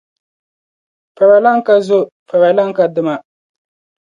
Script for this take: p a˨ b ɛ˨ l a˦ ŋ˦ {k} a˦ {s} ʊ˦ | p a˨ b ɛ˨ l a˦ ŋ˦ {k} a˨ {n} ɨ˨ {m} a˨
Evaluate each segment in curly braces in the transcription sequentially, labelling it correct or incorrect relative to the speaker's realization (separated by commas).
correct, incorrect, correct, incorrect, correct